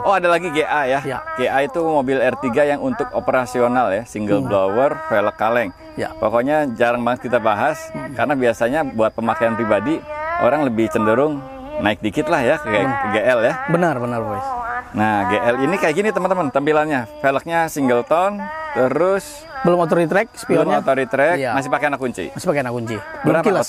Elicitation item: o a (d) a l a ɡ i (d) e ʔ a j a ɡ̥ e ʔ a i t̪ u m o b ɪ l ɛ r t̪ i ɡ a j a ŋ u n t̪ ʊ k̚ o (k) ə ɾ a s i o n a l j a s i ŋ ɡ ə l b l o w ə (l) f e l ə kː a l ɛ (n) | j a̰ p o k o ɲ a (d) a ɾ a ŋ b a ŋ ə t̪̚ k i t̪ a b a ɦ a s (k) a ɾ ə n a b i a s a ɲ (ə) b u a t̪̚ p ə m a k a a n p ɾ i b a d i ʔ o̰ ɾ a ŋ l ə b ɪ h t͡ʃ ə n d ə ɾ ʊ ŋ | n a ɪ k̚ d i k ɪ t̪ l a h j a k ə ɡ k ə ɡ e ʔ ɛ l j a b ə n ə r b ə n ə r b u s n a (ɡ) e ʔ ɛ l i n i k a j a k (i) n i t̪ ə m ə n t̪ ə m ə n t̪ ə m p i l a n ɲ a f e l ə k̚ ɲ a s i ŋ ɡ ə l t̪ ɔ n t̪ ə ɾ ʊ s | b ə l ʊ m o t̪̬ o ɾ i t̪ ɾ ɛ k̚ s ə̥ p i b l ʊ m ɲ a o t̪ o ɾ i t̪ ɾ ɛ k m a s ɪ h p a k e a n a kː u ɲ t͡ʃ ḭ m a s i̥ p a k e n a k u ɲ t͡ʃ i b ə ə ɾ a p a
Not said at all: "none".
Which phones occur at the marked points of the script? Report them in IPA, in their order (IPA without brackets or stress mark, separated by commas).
d, ɡ, p, r, ŋ, d͡ʒ, k, a, ɡ, i